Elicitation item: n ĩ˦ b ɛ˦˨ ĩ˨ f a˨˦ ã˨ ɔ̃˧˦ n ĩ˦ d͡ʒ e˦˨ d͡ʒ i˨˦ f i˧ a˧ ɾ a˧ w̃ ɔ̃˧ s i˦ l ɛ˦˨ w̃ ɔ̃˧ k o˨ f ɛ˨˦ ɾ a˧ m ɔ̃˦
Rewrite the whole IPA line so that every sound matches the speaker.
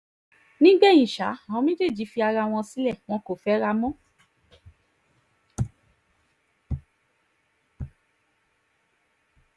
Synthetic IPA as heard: n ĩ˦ ɡ͡b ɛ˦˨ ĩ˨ ʃ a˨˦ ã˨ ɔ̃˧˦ m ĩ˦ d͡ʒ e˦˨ d͡ʒ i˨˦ f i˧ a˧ ɾ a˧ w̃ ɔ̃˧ s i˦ l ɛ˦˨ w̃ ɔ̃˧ k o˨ f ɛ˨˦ ɾ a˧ m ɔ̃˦